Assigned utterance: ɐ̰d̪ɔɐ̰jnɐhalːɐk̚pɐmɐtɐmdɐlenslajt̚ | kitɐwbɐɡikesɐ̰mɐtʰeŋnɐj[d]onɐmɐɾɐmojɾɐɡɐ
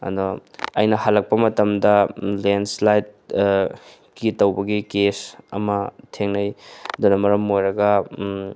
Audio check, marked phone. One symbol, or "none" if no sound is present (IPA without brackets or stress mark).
d